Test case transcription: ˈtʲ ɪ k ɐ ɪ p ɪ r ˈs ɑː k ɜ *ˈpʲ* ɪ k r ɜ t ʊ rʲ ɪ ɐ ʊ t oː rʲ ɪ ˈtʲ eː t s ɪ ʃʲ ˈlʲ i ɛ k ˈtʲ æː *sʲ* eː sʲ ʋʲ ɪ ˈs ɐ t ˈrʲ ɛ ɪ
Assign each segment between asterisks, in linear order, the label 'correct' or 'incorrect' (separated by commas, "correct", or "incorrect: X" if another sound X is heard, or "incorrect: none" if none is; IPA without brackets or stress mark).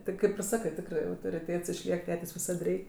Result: incorrect: tʲ, incorrect: tʲ